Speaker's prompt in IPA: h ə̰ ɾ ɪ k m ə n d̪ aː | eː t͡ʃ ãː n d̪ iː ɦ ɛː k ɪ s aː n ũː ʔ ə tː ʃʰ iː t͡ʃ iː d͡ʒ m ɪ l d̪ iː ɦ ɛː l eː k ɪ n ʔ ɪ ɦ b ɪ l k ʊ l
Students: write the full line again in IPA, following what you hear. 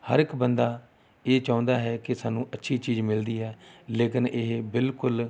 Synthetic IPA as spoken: h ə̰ ɾ ɪ k b ə n d̪ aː | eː t͡ʃ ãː n d̪ aː ɦ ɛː k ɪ s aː n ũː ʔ ə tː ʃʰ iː t͡ʃ iː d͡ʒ m ɪ l d̪ iː ɦ ɛː l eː k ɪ n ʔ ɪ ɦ b ɪ l k ʊ l